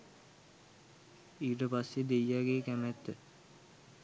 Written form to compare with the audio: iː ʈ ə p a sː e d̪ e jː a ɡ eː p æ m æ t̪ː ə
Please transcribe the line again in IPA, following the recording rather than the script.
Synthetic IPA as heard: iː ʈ ə p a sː e d̪ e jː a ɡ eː k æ m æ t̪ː ə